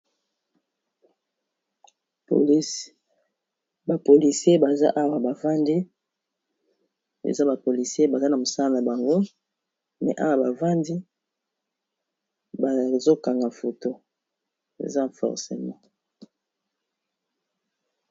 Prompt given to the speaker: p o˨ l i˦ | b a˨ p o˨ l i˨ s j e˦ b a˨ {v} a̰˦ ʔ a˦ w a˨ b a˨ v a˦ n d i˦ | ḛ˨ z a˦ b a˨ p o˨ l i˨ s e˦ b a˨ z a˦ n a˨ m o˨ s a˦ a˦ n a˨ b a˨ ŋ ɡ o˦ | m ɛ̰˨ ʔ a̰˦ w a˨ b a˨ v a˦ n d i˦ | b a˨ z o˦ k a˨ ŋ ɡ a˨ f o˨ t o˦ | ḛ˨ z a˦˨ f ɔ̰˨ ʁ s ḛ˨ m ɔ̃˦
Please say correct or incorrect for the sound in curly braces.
incorrect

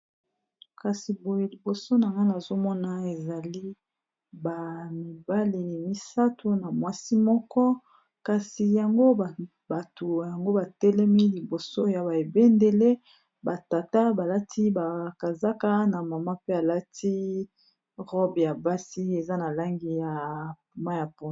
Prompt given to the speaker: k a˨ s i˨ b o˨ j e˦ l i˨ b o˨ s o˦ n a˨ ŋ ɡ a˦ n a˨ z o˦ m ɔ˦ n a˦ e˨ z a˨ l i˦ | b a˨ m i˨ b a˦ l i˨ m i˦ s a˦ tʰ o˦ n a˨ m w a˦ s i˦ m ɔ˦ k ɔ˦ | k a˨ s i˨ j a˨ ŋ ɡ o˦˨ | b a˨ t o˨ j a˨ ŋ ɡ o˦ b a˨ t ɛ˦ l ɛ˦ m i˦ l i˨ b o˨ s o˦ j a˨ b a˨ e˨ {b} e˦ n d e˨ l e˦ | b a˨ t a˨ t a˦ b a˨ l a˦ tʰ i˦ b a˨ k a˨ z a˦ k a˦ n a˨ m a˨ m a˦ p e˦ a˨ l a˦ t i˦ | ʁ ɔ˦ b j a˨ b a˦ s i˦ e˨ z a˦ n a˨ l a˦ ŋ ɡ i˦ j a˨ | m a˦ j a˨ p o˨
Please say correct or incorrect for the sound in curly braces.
correct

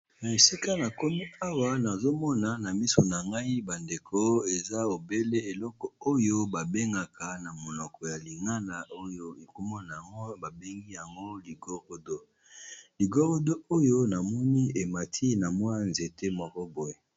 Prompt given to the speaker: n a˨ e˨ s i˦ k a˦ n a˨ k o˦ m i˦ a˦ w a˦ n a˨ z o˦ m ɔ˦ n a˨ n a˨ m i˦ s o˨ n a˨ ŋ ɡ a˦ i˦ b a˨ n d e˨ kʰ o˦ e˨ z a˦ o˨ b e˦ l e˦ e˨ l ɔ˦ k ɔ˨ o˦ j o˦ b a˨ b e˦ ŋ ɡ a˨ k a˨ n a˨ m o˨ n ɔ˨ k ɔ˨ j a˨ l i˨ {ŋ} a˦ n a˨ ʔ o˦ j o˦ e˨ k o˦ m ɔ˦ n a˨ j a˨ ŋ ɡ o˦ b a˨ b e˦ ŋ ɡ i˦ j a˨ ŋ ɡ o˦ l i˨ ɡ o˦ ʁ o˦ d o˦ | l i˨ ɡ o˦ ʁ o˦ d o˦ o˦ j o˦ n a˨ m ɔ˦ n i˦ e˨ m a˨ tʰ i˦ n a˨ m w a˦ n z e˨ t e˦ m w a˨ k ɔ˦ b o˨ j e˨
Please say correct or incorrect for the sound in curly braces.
correct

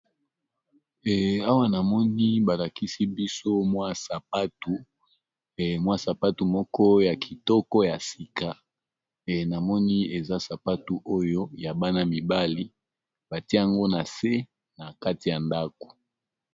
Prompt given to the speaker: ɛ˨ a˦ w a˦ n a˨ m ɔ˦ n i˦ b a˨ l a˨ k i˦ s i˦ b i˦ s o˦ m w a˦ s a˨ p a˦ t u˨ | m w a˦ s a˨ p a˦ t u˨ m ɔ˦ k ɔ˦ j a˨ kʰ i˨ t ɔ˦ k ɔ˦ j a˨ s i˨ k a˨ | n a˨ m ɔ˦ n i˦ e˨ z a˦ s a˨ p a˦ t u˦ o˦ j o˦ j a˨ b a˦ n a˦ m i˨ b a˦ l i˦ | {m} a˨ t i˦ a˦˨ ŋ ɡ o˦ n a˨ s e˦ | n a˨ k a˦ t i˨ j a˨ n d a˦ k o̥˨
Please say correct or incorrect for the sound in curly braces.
incorrect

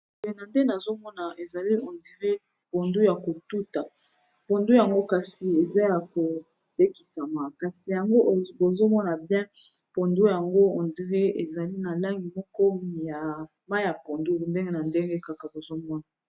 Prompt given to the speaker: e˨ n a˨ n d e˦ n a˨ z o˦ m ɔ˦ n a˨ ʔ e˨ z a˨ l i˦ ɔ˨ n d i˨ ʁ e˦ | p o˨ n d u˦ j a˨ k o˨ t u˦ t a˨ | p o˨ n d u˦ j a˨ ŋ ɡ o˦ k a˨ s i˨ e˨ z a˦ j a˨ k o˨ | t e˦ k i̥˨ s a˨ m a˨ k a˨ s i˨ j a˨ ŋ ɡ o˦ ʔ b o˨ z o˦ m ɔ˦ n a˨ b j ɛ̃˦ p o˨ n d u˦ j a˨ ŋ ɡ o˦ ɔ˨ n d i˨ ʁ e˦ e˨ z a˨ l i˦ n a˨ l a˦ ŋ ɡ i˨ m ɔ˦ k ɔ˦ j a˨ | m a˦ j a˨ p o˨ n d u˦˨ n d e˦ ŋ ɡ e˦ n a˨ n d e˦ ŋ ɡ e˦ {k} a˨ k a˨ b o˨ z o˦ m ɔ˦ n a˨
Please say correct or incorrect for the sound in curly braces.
correct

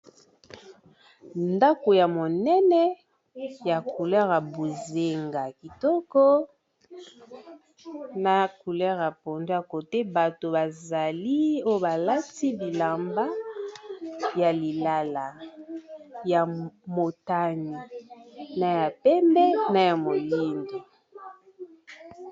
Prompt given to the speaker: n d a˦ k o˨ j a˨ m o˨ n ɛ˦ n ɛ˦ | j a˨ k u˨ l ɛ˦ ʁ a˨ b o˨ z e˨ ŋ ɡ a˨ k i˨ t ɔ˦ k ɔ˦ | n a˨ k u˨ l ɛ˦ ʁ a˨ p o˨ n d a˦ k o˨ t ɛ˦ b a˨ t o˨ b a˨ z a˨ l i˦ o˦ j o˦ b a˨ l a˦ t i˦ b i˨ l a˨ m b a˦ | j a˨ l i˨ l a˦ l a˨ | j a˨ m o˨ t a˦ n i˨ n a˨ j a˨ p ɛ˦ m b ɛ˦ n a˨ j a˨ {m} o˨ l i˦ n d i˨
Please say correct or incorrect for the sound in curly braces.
correct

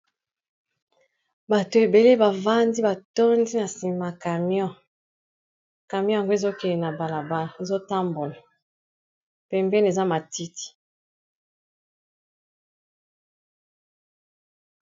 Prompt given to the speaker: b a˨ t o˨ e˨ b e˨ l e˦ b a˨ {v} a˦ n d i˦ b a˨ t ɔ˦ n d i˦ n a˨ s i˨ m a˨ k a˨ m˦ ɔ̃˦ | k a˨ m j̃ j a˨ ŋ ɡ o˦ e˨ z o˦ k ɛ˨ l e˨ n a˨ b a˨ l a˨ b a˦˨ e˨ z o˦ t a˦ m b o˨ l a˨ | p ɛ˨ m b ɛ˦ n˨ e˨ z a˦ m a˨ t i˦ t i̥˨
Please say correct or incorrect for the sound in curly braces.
correct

